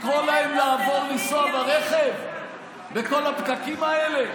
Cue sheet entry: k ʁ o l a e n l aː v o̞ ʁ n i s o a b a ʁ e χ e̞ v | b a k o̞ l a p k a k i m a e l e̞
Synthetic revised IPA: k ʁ o l a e m l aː v o̞ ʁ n i s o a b a ʁ e χ e̞ v | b e k o̞ l a p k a k i m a e l e̞